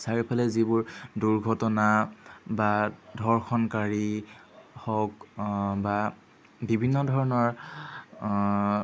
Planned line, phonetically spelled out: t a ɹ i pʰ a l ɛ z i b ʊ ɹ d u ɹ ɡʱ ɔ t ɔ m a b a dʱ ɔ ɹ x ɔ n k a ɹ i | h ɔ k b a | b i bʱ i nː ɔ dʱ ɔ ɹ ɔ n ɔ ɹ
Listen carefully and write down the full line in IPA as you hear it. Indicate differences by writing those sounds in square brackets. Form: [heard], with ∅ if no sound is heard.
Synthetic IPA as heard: [s] a ɹ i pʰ a l ɛ z i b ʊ ɹ d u ɹ ɡʱ ɔ t ɔ [n] a b a dʱ ɔ ɹ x ɔ n k a ɹ i | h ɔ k b a | b i bʱ i nː ɔ dʱ ɔ ɹ ɔ n ɔ ɹ